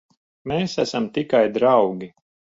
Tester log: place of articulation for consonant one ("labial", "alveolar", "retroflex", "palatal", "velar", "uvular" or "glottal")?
labial